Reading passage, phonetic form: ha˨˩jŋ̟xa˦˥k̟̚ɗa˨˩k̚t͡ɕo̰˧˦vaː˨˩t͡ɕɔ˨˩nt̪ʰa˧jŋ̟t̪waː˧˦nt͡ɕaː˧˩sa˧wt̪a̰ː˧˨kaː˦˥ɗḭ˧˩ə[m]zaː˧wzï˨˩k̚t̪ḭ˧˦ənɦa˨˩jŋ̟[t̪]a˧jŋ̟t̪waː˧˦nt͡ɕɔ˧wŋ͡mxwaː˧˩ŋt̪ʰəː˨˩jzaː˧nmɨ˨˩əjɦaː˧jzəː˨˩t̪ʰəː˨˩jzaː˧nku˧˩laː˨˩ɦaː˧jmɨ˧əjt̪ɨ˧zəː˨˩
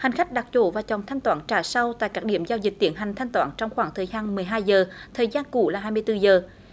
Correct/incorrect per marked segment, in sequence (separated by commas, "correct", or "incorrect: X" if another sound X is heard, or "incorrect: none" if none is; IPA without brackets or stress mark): correct, incorrect: t̪ʰ